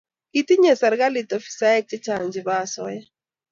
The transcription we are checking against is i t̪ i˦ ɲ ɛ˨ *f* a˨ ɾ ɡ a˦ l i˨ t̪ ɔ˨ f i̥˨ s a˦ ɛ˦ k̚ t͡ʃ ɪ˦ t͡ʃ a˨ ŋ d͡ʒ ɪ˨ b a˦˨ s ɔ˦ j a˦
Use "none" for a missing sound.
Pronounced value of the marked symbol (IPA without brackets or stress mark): s